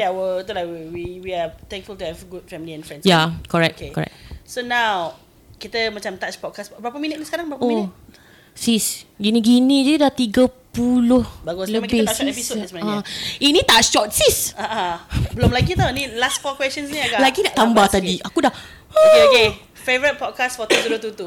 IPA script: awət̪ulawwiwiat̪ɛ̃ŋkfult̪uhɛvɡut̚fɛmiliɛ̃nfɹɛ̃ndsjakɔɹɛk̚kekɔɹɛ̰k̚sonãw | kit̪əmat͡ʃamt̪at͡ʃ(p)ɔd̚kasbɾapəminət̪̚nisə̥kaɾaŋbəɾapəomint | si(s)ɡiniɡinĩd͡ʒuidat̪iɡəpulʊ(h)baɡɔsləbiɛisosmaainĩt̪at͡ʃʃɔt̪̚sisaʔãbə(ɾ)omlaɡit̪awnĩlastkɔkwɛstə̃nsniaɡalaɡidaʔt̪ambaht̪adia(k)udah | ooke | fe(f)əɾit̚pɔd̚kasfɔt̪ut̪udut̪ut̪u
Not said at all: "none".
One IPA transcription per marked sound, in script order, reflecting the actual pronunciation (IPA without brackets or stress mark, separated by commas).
p, s, h, l, k, v